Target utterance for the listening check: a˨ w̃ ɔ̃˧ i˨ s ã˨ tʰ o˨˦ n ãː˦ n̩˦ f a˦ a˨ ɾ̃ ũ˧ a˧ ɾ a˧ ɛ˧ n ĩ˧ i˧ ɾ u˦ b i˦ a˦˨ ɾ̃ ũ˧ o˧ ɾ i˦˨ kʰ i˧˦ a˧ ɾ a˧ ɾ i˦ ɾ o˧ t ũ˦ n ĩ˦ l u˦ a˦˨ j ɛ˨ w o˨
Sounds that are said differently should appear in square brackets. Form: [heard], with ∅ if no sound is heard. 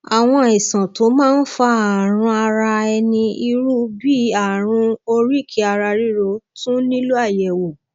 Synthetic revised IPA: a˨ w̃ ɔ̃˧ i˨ s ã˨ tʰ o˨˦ [m] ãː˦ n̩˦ f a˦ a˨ ɾ̃ ũ˧ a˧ ɾ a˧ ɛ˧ n ĩ˧ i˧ ɾ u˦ b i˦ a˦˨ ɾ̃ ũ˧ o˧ ɾ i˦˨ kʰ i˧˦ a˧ ɾ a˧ ɾ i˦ ɾ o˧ t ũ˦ n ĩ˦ l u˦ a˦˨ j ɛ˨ w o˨

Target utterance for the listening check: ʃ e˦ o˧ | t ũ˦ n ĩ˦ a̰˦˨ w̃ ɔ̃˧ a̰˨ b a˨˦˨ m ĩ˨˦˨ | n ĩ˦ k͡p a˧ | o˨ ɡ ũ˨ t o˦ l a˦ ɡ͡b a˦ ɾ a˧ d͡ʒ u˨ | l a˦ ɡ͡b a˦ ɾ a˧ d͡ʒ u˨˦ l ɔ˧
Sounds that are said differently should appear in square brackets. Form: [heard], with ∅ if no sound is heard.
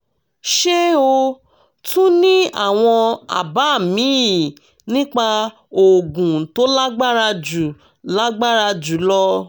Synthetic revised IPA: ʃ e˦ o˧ | t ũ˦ n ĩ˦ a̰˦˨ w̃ ɔ̃˧ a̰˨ b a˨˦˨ m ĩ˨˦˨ | n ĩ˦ k͡p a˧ | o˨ ɡ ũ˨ t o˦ l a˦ ɡ͡b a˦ ɾ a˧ d͡ʒ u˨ | l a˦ ɡ͡b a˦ ɾ a˧ d͡ʒ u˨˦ l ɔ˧

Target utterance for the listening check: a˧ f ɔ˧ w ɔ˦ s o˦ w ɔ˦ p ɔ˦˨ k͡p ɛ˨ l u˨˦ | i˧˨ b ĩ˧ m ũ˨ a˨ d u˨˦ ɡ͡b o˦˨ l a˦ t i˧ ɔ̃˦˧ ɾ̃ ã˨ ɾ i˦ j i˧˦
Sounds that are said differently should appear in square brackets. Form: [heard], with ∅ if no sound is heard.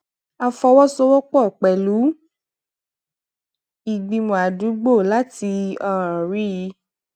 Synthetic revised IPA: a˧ f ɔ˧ w ɔ˦ s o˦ w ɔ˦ [k͡p] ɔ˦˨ k͡p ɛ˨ l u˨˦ | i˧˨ [ɡ͡b] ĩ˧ m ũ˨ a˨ d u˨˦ ɡ͡b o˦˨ l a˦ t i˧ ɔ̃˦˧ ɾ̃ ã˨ ɾ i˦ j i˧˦

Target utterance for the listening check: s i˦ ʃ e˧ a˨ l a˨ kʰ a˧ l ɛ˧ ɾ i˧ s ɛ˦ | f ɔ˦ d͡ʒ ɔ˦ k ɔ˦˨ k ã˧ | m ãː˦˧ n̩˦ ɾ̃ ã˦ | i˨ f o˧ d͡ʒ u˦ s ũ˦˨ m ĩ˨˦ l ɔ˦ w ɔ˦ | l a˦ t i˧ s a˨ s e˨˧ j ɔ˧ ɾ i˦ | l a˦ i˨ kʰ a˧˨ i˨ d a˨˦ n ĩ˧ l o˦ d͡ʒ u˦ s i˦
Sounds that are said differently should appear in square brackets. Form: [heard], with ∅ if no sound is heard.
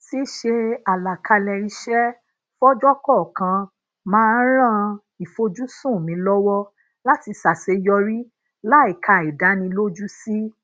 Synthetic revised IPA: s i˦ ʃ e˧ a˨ l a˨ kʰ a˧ l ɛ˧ ɾ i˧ [ʃ] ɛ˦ | f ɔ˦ d͡ʒ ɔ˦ k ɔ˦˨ k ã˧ | m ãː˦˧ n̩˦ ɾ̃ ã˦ | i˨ f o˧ d͡ʒ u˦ s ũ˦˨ m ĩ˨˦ l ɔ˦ w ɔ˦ | l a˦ t i˧ s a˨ s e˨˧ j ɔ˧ ɾ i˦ | l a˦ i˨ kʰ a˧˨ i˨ d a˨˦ n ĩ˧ l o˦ d͡ʒ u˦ s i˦

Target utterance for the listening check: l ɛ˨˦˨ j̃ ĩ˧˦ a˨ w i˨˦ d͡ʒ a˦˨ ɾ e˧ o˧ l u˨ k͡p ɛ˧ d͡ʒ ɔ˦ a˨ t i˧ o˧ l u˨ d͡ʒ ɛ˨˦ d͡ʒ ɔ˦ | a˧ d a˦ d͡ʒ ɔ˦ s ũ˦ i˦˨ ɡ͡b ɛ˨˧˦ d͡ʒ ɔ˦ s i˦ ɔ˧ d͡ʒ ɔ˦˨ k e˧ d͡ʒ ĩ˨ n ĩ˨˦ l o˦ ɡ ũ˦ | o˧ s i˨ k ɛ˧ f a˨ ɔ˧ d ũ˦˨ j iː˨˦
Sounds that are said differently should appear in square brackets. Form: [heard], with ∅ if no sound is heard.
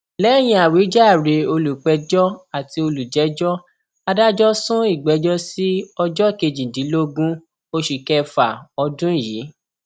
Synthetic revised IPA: l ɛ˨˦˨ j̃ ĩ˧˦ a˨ w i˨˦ d͡ʒ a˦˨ ɾ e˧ o˧ l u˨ k͡p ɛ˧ d͡ʒ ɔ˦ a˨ t i˧ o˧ l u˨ d͡ʒ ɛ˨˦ d͡ʒ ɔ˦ | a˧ d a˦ d͡ʒ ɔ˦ s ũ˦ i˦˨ ɡ͡b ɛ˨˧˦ d͡ʒ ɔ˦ s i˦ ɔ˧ d͡ʒ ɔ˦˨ k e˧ d͡ʒ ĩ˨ [d] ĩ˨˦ l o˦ ɡ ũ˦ | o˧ [ʃ] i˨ k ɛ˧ f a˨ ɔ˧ d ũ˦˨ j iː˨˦

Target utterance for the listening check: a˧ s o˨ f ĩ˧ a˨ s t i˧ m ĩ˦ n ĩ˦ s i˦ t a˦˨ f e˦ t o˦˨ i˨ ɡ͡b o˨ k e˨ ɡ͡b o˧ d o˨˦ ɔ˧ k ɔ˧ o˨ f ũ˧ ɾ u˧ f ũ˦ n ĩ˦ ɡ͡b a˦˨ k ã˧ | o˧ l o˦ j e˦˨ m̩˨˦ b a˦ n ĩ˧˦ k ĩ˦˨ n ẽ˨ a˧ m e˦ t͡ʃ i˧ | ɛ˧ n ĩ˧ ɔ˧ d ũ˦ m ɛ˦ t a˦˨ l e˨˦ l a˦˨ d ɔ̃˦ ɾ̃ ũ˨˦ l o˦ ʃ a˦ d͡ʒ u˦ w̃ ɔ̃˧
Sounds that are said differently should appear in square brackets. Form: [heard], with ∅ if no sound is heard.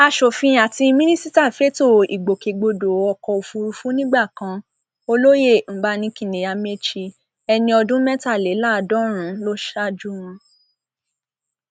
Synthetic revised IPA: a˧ [ʃ] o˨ f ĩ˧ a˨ [∅] t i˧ m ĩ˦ n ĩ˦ s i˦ t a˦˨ f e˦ t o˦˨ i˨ ɡ͡b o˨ k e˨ ɡ͡b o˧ d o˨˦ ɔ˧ k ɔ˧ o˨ f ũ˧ ɾ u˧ f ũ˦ n ĩ˦ ɡ͡b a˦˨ k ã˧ | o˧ l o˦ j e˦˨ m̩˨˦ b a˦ n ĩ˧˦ k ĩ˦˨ n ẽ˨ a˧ m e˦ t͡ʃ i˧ | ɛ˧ n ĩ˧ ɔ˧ d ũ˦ m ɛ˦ t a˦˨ l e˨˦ l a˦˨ d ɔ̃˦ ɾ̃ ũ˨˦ l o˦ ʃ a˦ d͡ʒ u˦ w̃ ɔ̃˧

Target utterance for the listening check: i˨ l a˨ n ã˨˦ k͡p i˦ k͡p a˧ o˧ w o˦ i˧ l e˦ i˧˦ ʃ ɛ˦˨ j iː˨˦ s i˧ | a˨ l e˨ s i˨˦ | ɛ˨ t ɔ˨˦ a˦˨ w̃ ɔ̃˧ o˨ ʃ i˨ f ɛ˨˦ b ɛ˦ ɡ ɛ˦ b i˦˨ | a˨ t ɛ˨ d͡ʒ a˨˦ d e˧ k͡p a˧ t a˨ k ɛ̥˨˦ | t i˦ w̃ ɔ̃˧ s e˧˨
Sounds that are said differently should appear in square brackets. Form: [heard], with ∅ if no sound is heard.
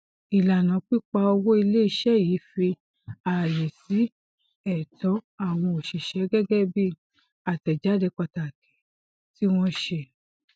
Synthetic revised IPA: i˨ l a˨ n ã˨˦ k͡p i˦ k͡p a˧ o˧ w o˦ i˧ l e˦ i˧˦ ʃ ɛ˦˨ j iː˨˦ [f] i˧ | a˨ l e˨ s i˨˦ | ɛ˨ t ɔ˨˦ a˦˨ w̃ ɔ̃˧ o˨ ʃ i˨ [ʃ] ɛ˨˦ [ɡ] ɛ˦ ɡ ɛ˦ b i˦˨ | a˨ t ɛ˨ d͡ʒ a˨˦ d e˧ k͡p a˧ t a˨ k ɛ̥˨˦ | t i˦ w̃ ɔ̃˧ [ʃ] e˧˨

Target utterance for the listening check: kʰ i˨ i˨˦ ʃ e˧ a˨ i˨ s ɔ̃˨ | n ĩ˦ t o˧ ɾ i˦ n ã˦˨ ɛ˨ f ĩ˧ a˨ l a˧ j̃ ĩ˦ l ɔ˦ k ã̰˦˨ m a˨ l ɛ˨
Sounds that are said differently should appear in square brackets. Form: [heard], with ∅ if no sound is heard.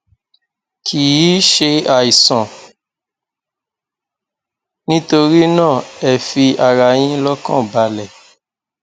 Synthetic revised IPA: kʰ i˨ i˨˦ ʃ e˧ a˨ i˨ s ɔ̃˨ | n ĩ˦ t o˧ ɾ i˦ n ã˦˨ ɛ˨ f [i˧] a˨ [ɾ] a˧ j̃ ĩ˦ l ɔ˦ k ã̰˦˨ [b] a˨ l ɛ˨

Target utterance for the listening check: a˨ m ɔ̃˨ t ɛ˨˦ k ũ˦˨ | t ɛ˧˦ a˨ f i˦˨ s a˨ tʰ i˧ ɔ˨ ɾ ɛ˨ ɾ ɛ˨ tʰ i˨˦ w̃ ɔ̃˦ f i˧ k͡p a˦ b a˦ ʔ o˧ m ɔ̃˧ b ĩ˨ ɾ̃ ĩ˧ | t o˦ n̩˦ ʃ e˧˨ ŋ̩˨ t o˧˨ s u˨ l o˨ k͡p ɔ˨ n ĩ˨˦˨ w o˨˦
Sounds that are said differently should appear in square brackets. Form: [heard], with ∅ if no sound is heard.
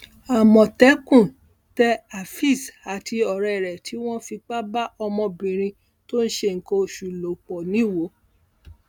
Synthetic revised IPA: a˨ m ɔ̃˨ t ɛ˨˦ k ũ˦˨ | t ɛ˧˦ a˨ f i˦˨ s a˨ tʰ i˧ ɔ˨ ɾ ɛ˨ ɾ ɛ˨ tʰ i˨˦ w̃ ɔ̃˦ f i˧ k͡p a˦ b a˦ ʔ [ɔ˧] m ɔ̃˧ b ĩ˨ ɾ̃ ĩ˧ | t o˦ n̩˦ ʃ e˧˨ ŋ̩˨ [k] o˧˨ [ʃ] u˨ l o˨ k͡p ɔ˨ n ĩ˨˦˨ w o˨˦

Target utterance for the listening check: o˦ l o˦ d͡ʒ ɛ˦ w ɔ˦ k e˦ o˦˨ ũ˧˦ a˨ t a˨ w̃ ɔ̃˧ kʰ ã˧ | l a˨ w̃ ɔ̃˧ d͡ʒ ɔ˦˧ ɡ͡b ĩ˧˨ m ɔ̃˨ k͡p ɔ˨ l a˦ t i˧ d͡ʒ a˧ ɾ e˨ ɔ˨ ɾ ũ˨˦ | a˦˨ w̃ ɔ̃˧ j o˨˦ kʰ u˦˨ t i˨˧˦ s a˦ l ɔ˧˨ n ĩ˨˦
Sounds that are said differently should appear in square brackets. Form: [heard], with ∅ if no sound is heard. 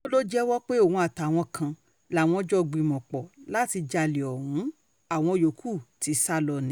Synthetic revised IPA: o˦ l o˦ d͡ʒ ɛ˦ w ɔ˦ [k͡p] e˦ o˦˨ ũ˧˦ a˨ t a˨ w̃ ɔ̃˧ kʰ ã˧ | l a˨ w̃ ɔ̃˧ d͡ʒ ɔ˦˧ ɡ͡b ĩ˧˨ m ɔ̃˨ k͡p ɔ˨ l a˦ t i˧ d͡ʒ a˧ [l] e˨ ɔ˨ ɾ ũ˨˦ | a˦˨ w̃ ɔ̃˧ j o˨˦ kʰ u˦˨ t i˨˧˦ s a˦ l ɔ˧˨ n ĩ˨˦

